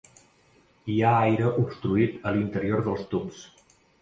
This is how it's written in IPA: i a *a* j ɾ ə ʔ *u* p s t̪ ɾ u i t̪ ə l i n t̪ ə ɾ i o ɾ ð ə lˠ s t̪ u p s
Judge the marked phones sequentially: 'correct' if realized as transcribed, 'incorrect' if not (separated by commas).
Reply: correct, correct